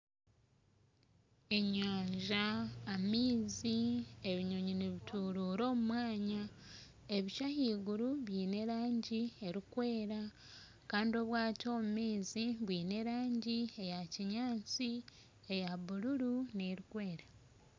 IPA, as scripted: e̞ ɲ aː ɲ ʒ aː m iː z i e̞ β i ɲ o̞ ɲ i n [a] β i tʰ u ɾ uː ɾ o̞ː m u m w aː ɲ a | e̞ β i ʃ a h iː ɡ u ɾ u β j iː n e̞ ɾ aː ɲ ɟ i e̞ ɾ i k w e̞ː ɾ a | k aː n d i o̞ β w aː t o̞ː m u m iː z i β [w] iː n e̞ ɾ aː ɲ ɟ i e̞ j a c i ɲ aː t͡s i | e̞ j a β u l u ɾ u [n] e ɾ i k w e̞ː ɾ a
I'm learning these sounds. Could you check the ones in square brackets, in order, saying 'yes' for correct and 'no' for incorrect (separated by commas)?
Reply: no, yes, yes